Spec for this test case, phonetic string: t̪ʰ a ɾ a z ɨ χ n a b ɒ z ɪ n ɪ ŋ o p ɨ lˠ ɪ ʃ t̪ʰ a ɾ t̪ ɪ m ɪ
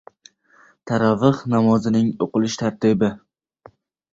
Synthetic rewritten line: t̪ʰ a ɾ a v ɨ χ n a m ɒ z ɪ n ɪ ŋ o q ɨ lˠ ɪ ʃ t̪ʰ a ɾ t̪ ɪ b ɪ